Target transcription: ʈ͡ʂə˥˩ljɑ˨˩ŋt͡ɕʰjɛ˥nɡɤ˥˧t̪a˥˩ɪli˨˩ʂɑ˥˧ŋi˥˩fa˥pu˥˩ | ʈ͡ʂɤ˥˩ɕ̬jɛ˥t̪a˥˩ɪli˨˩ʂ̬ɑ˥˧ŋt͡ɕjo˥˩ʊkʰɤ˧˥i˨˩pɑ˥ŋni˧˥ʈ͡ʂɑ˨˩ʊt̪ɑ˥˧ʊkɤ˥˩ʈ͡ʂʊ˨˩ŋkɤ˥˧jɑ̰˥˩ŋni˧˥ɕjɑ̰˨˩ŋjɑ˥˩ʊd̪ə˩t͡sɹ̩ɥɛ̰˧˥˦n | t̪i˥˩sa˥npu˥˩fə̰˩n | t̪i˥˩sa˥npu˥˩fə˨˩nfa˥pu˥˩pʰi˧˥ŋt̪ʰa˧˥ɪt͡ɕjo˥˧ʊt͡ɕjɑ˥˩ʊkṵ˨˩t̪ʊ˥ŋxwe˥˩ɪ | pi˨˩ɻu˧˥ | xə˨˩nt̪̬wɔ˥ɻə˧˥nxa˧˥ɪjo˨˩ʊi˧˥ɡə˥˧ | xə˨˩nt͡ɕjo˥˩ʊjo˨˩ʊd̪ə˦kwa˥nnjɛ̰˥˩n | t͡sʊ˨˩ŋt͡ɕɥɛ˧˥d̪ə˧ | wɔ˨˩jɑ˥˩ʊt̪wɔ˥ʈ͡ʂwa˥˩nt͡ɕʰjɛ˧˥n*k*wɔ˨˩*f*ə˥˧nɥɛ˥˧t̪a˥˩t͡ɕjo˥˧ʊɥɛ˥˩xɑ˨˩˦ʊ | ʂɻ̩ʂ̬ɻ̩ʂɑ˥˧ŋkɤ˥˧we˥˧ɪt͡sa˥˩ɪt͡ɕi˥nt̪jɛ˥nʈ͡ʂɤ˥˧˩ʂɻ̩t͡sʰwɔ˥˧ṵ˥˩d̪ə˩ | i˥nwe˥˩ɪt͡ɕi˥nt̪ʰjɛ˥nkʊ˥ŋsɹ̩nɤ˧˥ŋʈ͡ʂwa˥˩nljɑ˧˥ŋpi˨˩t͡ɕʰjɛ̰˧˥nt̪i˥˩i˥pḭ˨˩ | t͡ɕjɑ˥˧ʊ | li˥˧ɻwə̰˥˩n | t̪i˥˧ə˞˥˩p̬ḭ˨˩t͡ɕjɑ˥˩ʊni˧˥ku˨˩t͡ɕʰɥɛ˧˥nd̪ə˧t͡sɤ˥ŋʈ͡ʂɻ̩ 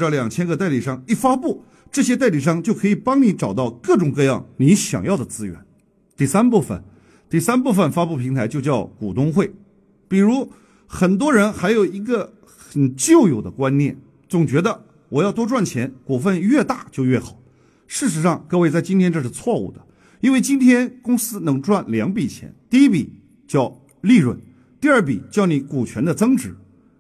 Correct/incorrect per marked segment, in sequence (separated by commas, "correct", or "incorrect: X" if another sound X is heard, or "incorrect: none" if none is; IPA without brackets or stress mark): correct, correct